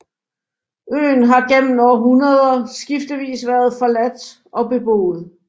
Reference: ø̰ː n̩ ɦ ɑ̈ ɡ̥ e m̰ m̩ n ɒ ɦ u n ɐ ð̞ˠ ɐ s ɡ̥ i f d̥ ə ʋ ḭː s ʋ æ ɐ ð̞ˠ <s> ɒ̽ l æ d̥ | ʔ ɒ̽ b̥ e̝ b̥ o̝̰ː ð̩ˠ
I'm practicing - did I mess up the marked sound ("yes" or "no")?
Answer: yes